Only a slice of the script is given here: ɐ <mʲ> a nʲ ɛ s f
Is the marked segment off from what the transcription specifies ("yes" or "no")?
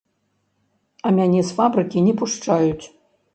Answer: no